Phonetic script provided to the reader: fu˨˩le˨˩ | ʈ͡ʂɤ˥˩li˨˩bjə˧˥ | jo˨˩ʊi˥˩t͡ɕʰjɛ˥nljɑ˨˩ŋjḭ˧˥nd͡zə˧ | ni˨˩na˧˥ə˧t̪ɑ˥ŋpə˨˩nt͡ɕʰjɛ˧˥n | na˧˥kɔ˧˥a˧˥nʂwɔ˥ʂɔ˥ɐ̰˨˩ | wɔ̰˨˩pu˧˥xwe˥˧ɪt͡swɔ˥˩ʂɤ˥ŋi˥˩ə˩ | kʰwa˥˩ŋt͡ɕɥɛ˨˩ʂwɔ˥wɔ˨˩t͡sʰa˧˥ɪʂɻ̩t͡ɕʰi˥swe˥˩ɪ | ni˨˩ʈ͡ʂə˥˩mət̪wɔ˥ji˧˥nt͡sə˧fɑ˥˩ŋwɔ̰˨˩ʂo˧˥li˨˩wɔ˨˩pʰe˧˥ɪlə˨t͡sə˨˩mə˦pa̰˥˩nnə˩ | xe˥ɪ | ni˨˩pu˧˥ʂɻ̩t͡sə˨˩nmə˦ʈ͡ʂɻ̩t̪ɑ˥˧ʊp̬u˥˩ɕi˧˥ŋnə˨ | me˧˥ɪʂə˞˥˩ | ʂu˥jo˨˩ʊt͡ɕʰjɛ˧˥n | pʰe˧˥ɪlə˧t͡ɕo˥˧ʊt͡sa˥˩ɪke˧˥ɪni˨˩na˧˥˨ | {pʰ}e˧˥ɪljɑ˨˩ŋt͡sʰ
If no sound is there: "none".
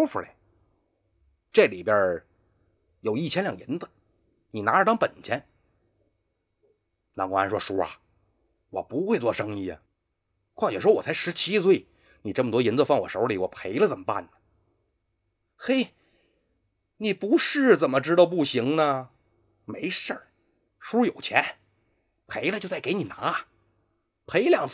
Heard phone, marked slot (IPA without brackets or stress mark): pʰ